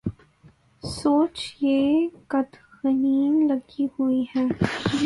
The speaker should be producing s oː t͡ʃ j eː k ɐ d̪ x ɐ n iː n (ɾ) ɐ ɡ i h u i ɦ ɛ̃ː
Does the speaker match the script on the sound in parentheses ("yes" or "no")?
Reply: no